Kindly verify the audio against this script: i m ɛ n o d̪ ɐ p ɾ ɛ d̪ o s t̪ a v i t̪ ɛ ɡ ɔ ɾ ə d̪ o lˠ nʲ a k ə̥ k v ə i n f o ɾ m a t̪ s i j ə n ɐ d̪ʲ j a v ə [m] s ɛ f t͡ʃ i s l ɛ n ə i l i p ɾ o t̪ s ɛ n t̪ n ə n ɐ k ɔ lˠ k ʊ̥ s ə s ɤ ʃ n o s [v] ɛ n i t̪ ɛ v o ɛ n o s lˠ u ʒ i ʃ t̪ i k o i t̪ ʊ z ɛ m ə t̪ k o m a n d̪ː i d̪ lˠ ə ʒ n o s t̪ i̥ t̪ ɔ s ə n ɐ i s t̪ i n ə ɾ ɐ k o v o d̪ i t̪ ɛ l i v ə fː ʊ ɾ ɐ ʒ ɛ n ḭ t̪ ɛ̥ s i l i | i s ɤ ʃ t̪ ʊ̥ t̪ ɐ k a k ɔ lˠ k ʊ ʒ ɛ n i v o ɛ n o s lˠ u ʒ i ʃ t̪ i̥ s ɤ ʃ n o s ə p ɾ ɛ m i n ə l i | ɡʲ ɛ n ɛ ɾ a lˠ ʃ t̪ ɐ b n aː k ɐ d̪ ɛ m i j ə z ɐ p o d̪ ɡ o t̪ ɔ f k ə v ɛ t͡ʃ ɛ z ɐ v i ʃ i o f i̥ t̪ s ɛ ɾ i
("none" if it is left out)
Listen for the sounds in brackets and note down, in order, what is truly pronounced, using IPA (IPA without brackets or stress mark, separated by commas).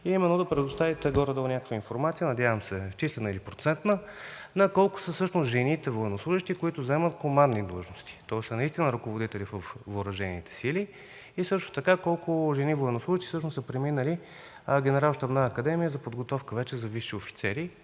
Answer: m, ʒ